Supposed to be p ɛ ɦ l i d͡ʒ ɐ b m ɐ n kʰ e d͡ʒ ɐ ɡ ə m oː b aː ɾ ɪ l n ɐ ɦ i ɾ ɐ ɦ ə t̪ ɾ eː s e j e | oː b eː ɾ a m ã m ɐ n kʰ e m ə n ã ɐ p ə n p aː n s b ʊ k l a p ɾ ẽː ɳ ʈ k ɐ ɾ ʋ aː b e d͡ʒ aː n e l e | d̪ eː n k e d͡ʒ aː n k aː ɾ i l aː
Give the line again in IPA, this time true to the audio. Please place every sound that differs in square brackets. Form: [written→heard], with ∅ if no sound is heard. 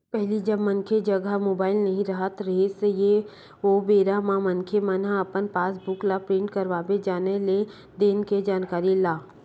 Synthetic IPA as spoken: p ɛ ɦ l i d͡ʒ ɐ b m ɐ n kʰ e d͡ʒ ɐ ɡ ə m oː b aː [ɾ→∅] ɪ l n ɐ ɦ [i→ĩ] ɾ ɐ ɦ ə t̪ ɾ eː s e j e | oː b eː ɾ a m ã m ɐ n kʰ e m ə n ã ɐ p ə n p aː [n→∅] s b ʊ k l a p ɾ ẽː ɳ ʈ k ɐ ɾ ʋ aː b e d͡ʒ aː n e l e | d̪ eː n k e d͡ʒ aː n k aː ɾ i l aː